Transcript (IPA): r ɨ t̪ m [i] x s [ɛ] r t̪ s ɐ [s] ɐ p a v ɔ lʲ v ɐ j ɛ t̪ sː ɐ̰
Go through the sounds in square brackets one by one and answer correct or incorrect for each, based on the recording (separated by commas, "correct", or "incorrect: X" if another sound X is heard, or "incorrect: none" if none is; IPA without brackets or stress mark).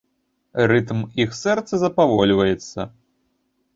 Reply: correct, correct, incorrect: z